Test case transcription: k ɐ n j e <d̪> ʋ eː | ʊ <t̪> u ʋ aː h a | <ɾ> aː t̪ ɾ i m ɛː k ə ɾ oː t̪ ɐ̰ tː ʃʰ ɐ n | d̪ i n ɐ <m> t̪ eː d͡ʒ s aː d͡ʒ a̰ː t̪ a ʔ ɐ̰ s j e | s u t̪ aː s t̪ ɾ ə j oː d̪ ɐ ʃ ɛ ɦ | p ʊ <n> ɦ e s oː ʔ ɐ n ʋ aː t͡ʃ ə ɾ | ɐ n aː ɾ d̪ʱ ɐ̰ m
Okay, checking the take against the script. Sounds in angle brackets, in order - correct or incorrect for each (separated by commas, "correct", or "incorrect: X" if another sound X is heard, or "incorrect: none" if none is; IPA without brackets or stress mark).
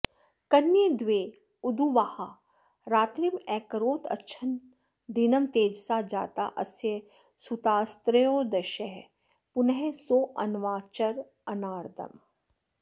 correct, incorrect: d̪, correct, correct, correct